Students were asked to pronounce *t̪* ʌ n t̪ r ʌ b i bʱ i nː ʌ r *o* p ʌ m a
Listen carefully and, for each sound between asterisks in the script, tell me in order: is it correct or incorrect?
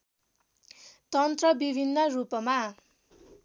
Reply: correct, incorrect

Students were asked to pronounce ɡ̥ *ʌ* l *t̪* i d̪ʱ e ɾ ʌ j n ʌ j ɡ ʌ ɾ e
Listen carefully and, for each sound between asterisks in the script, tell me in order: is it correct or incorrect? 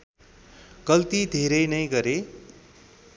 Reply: correct, correct

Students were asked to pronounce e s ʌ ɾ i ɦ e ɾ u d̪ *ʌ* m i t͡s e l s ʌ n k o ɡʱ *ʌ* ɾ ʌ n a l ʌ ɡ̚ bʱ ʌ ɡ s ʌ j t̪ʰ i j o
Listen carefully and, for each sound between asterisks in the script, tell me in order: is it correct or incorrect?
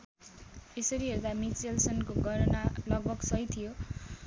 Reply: incorrect, correct

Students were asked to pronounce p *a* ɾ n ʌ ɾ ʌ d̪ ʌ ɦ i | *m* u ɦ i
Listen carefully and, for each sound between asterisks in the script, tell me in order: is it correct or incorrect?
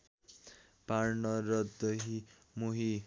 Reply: correct, correct

